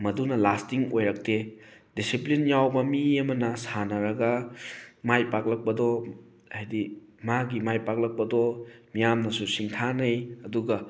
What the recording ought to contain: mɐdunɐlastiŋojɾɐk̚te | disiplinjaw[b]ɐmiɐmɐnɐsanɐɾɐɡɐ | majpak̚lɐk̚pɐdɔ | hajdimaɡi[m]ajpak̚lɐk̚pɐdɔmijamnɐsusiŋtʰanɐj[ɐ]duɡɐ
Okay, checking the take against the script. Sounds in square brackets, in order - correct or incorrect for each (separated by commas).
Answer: correct, correct, correct